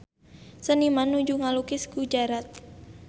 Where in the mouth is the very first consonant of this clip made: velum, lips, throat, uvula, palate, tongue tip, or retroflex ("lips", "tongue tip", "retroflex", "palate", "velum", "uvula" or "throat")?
tongue tip